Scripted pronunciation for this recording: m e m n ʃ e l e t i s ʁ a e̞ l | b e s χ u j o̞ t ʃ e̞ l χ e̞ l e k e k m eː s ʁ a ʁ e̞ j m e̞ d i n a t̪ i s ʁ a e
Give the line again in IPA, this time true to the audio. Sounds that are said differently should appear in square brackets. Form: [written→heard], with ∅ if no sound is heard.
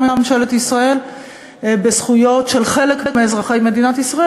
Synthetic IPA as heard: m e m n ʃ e l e t i s ʁ a e̞ l | b e s χ u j o̞ t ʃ e̞ l χ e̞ l e k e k m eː [s→z] ʁ a [ʁ→χ] e̞ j m e̞ d i n a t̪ i s ʁ a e